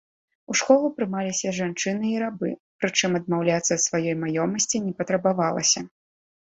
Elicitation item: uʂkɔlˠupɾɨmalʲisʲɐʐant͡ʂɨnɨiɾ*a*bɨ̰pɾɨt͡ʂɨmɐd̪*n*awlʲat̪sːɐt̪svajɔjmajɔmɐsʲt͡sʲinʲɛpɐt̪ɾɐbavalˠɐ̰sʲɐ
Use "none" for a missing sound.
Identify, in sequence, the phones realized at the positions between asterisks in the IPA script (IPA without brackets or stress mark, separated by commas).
a, m